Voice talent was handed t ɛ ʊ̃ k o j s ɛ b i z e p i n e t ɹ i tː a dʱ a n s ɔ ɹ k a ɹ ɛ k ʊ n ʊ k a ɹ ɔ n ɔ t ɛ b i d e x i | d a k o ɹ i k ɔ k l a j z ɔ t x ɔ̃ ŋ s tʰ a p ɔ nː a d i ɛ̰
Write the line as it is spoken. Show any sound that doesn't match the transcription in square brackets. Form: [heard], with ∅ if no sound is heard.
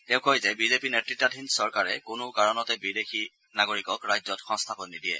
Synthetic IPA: t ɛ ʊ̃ k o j [z] ɛ b i z e p i n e t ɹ i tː a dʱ [i] n s ɔ ɹ k a ɹ ɛ k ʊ n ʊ k a ɹ ɔ n ɔ t ɛ b i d e x i | [n] a [ɡ] o ɹ i k ɔ k [ɹ] a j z ɔ t x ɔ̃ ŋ s tʰ a p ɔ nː [i] d i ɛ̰